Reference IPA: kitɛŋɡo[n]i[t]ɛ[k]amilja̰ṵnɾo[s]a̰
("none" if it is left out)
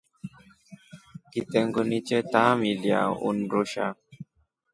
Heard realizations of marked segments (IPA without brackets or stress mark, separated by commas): n, t͡ʃ, t, ʃ